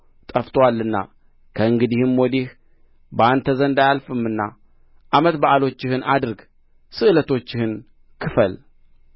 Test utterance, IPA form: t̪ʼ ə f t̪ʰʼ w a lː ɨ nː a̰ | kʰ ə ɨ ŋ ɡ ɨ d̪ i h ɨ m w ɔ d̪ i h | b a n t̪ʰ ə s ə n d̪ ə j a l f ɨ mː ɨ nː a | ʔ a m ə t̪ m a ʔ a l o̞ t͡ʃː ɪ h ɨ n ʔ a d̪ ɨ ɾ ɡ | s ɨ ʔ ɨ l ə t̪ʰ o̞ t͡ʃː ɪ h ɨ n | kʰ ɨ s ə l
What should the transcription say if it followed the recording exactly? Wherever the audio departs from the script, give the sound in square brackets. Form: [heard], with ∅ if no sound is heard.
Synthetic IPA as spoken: t̪ʼ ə f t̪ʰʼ w a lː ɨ nː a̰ | kʰ ə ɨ ŋ ɡ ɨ d̪ i h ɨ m w ɔ d̪ i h | b a n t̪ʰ ə [z] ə n d̪ [a] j a l f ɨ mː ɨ nː a | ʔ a m ə t̪ [b] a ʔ a l o̞ t͡ʃː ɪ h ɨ n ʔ a d̪ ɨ ɾ ɡ | s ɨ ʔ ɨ l ə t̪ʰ o̞ t͡ʃː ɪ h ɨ n | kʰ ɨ [f] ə l

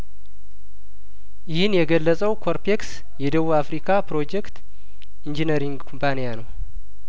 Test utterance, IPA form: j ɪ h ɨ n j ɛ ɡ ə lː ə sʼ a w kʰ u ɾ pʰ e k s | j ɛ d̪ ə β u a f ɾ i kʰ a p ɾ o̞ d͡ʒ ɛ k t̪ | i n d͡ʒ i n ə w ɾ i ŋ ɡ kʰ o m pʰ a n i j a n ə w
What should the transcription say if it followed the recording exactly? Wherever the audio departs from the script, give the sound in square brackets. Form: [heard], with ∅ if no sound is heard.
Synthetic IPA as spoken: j ɪ h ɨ n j ɛ ɡ ə lː ə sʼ [ə] w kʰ [o] ɾ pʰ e k s | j ɛ d̪ ə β u a f ɾ i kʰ a p ɾ o̞ d͡ʒ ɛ k t̪ | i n d͡ʒ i n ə [∅] ɾ i ŋ ɡ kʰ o m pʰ a n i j a n ə w

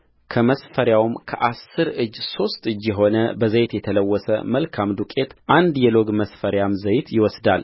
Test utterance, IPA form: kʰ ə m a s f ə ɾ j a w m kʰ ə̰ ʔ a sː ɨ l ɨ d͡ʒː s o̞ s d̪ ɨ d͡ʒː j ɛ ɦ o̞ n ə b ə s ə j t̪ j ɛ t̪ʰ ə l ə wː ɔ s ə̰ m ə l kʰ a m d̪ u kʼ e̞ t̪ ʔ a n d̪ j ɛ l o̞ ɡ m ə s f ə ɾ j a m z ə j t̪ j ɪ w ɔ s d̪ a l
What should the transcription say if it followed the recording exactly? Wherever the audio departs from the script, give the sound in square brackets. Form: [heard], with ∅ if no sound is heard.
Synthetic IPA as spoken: kʰ ə m [ə] s f ə ɾ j a w m kʰ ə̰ ʔ a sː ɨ [ɾ] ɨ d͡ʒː s o̞ s [t̪] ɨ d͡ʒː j ɛ ɦ o̞ n ə b ə [z] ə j t̪ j ɛ t̪ʰ ə l ə wː ɔ s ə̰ m ə l kʰ a m d̪ u kʼ e̞ t̪ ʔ a n d̪ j ɛ l o̞ ɡ m ə s f ə ɾ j a m z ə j t̪ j ɪ w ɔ s d̪ a l

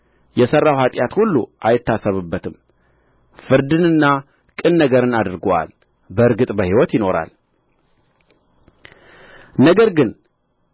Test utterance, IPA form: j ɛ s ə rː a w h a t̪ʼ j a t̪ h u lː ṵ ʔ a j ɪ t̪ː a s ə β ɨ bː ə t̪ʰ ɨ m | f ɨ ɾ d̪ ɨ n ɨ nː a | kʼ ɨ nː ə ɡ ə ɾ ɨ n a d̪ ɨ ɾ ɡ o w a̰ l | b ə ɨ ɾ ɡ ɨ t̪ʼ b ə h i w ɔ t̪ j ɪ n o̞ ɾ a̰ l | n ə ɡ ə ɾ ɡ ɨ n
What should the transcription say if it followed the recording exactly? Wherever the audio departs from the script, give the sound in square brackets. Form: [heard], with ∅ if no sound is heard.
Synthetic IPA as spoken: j ɛ s ə rː a w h a t̪ʼ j a t̪ h u lː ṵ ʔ a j ɪ t̪ː a s ə β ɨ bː ə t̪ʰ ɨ m | f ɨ ɾ d̪ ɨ n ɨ nː a | kʼ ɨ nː ə ɡ ə ɾ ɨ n a d̪ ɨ ɾ ɡ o w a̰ l | b ə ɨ ɾ ɡ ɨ t̪ʼ b ə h i w ɔ t̪ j ɪ n o̞ ɾ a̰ l | n ə ɡ ə ɾ ɡ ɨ n

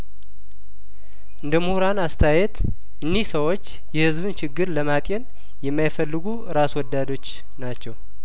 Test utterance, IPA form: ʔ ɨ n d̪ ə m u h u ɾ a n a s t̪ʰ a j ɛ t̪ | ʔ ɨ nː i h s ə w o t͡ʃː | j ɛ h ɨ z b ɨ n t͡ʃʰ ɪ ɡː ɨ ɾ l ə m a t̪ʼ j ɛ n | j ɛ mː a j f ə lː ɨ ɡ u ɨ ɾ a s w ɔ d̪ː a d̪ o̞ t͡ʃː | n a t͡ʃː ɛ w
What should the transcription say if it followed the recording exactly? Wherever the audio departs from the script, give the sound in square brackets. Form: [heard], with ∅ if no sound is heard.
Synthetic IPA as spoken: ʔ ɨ n d̪ ə m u h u ɾ a n a s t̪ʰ a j ɛ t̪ | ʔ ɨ nː i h s ə w o t͡ʃː | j ɛ h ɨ z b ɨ n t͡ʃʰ ɪ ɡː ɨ ɾ l ə m a t̪ʼ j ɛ n | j ɛ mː a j f ə lː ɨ ɡ u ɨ ɾ a s w ɔ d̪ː a d̪ o̞ t͡ʃː | n a t͡ʃː ɛ w

